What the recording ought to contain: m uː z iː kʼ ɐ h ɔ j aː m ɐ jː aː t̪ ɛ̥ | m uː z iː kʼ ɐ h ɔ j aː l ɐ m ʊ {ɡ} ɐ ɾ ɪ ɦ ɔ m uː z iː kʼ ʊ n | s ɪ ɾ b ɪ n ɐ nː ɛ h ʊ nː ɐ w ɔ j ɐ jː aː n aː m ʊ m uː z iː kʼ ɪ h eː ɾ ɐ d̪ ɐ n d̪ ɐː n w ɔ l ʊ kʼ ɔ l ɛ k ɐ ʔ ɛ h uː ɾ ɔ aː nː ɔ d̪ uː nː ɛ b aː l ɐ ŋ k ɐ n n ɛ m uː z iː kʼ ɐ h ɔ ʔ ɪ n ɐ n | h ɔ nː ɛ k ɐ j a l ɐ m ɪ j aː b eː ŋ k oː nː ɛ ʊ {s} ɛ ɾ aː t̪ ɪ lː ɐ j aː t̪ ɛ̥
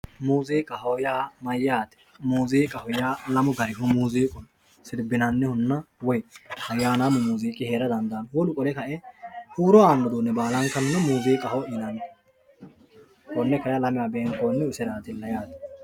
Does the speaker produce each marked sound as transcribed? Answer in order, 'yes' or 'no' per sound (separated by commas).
yes, yes